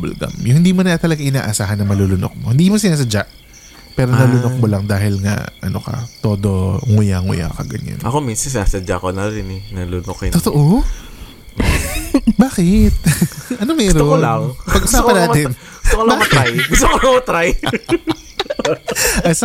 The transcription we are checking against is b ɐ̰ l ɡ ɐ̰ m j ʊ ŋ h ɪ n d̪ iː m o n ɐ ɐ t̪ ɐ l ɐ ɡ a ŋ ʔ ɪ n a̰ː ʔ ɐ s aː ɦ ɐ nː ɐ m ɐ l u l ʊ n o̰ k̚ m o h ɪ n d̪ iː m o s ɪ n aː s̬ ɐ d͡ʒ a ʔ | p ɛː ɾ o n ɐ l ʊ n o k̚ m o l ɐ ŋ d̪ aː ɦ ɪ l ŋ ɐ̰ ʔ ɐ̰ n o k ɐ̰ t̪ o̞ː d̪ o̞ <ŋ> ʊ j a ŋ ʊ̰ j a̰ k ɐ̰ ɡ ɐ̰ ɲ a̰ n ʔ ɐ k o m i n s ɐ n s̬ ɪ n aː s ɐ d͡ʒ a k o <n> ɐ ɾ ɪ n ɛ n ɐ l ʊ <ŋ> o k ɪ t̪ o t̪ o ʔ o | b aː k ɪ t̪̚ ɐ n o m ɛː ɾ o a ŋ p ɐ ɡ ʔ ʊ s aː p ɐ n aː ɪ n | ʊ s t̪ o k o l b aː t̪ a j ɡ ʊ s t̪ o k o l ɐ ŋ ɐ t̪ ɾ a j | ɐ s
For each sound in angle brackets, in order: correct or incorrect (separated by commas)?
correct, correct, incorrect